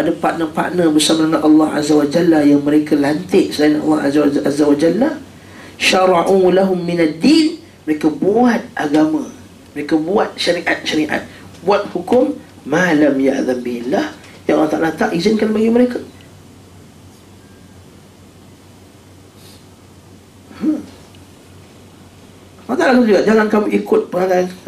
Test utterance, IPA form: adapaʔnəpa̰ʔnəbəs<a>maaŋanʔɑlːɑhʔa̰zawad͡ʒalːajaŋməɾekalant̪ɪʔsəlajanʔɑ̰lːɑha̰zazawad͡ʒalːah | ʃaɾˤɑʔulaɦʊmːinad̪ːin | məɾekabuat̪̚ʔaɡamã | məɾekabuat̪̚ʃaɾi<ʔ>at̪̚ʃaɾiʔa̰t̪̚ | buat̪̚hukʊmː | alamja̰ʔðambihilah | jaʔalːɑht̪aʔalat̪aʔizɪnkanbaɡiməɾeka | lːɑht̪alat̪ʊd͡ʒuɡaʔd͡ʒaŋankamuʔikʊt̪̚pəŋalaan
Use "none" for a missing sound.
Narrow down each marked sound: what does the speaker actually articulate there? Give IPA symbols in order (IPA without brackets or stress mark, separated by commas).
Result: a, ʔ